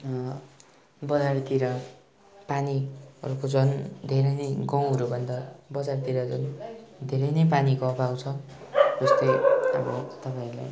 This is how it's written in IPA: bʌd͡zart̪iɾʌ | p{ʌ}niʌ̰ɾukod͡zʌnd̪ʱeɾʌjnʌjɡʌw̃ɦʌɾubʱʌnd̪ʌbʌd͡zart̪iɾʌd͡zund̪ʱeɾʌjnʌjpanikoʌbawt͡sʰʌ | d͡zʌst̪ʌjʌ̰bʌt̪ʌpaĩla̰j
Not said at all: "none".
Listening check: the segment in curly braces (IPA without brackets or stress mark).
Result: a